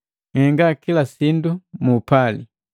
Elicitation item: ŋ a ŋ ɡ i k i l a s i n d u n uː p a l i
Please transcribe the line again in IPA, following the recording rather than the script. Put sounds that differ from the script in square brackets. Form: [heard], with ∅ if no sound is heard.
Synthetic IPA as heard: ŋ [ɛ] ŋ ɡ [a] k i l a s i n d u [m] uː p a l i